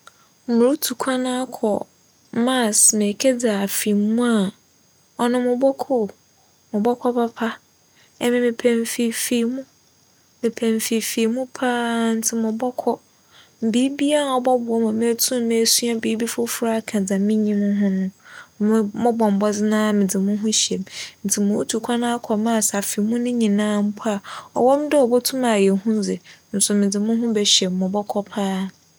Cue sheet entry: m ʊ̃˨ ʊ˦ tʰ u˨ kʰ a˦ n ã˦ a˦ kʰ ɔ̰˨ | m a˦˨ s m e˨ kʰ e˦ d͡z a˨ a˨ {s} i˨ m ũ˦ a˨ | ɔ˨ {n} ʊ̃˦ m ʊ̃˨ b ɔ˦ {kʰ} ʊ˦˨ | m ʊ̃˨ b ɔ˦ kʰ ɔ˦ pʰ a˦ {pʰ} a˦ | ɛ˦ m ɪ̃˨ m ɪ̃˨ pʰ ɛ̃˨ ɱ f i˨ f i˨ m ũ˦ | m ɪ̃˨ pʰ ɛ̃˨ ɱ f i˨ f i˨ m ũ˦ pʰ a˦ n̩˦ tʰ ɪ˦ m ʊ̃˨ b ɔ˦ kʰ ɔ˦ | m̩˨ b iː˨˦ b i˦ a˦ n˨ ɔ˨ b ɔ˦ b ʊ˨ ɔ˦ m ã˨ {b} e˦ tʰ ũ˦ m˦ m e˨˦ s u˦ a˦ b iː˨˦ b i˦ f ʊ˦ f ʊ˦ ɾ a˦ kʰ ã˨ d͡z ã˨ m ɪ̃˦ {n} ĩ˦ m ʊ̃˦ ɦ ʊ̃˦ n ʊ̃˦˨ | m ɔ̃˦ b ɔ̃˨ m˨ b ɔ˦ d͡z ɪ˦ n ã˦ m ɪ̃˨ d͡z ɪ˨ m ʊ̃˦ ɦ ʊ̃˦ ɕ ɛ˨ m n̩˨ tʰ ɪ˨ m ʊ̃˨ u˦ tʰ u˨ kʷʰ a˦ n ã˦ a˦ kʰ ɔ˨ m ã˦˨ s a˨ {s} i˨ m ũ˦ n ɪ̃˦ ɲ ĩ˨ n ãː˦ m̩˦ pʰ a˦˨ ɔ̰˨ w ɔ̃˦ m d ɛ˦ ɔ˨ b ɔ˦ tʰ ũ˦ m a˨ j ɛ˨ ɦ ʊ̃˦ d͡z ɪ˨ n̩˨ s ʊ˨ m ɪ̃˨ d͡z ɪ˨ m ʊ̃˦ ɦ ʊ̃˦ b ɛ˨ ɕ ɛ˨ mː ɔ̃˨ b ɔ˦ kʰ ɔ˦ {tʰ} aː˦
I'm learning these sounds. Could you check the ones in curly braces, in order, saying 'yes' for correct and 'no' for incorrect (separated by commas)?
no, yes, yes, yes, no, no, no, no